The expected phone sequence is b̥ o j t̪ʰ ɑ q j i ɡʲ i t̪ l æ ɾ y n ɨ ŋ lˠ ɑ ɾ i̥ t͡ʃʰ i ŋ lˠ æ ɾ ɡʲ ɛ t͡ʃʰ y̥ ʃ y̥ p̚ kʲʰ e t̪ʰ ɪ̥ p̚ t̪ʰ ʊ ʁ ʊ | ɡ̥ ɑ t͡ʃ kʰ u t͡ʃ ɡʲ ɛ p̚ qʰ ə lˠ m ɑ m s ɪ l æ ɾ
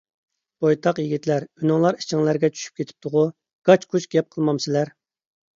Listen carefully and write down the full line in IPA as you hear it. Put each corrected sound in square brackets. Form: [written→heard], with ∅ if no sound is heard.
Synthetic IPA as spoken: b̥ o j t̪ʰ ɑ q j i ɡʲ i t̪ l æ ɾ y n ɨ ŋ lˠ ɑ ɾ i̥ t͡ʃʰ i ŋ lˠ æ ɾ ɡʲ ɛ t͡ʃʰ y̥ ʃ y̥ p̚ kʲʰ e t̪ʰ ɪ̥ p̚ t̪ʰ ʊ ʁ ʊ | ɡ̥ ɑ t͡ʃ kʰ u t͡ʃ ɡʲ ɛ p̚ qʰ ə lˠ m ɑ m s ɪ l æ ɾ